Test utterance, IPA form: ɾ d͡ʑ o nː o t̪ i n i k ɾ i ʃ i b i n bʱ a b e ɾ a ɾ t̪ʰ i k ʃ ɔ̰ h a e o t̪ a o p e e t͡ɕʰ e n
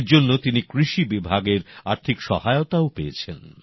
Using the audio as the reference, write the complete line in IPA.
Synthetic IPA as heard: ɾ d͡ʑ o nː o t̪ i n i k ɾ i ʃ i b i bʱ a ɡ e ɾ a ɾ t̪ʰ i k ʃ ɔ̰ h a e o t̪ a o p e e t͡ɕʰ e n

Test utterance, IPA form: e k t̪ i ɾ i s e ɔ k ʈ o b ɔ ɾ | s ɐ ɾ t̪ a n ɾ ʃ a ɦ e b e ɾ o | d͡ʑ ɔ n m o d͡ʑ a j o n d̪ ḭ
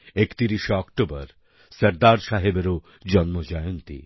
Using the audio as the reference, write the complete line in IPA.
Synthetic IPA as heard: e k t̪ i ɾ i ʃ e ɔ k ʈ o b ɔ ɾ | s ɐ ɾ d̪ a ɾ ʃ a ɦ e b e ɾ o | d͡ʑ ɔ n m o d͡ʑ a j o n t̪ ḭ

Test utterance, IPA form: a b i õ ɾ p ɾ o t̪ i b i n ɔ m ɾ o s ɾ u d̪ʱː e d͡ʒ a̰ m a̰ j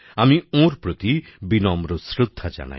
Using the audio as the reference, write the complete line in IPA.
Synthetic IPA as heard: a m i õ ɾ p ɾ o t̪ i b i n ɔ m ɾ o s ɾ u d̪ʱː a d͡ʒ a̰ n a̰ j

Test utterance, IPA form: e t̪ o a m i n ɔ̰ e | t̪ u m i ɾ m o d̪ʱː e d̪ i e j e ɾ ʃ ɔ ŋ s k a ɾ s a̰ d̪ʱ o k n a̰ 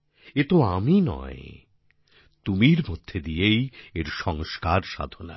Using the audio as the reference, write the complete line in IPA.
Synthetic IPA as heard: e t̪ o a m i n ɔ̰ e | t̪ u m i ɾ m o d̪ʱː e d̪ i e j e ɾ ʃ ɔ ŋ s k a ɾ ʃ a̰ d̪ʱ o n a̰

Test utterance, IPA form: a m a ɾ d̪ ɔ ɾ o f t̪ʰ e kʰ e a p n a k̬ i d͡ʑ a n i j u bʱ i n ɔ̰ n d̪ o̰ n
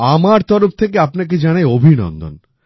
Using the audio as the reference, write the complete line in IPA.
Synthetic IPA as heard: a m a ɾ t̪ ɔ ɾ o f t̪ʰ e k e a p n a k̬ e d͡ʑ a n a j o bʱ i n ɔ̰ n d̪ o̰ n

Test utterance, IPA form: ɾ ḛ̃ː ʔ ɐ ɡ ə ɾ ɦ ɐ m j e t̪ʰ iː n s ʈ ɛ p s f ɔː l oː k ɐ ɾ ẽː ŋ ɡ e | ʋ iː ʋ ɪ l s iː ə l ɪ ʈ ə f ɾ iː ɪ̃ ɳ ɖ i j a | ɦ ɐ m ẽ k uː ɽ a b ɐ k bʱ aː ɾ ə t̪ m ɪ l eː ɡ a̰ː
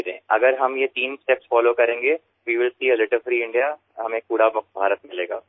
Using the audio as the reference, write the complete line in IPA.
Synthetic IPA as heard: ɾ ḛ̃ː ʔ ɐ ɡ ə ɾ ɦ ɐ m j e t̪ iː n s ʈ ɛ p s f ɔː l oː k ɐ ɾ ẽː ŋ ɡ e | ʋ iː ʋ ɪ l s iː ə l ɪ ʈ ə f ɾ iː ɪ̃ ɳ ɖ i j a | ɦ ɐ m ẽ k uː ɽ a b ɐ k bʱ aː ɾ ə t̪ m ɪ l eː ɡ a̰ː

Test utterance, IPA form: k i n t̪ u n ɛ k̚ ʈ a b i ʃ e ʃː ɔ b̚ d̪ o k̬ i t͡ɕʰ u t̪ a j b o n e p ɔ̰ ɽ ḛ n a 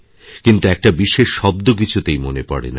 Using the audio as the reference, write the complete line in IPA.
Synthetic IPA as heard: k i n t̪ u ɛ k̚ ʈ a b i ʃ e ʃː ɔ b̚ d̪ o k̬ i t͡ɕʰ u t̪ e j m o n e p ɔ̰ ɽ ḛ n a

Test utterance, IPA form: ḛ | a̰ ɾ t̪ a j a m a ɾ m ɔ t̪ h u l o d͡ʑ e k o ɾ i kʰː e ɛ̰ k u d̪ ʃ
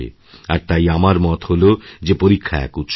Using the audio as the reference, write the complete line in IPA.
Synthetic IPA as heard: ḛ | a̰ ɾ t̪ a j a m a ɾ m ɔ t̪ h o l o d͡ʑ e p o ɾ i kʰː a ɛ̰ k u t̪ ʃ

